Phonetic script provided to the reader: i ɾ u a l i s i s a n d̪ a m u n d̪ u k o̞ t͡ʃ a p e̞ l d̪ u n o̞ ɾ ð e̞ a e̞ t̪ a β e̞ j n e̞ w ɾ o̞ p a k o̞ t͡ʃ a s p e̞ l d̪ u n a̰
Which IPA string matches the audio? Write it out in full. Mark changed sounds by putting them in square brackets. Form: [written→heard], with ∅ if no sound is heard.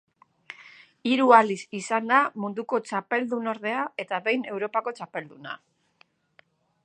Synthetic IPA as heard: i ɾ u a l i s i s a n d̪ a m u n d̪ u k o̞ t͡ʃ a p e̞ l d̪ u n o̞ ɾ ð e̞ a e̞ t̪ a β e̞ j n e̞ w ɾ o̞ p a k o̞ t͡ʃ a [s→∅] p e̞ l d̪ u n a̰